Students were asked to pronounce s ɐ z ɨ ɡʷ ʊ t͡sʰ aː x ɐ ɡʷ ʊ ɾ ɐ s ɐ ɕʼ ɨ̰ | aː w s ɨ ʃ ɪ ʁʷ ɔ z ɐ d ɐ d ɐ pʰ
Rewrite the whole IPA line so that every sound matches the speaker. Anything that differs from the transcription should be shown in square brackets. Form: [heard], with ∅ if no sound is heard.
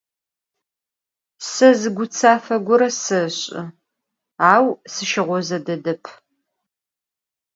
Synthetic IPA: s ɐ z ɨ ɡʷ ʊ t͡sʰ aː [f] ɐ ɡʷ ʊ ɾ ɐ s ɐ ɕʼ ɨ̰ | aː w s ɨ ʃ ɪ ʁʷ ɔ z ɐ d ɐ d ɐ pʰ